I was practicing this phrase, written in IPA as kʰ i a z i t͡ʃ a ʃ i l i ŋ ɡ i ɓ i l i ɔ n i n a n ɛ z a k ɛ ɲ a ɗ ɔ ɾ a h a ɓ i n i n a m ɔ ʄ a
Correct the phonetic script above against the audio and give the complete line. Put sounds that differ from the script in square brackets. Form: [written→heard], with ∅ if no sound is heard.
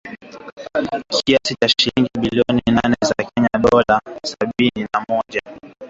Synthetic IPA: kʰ i a [z→s] i t͡ʃ a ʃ i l i ŋ ɡ i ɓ i l i ɔ n i n a n ɛ z a k ɛ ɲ a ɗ ɔ [ɾ→l] a [h→s] a ɓ i n i n a m ɔ ʄ a